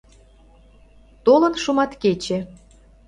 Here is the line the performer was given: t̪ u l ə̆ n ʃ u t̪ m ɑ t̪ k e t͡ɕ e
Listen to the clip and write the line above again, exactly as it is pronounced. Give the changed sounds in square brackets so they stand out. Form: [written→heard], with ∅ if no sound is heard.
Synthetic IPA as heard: t̪ [u→o] l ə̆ n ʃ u [t̪→∅] m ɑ t̪ k e t͡ɕ e